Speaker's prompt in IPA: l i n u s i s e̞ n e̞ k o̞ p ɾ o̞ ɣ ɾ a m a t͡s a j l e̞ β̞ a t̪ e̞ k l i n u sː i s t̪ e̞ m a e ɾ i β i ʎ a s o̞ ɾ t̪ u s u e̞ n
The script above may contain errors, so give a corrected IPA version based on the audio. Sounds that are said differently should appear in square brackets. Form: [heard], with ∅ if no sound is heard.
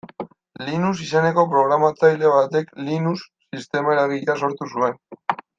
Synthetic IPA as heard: l i n u s i s e̞ n e̞ k o̞ p ɾ o̞ ɣ ɾ a m a t͡s a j l e̞ β̞ a t̪ e̞ k l i n u sː i s t̪ e̞ m a e ɾ [a] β i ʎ a s o̞ ɾ t̪ u s u e̞ n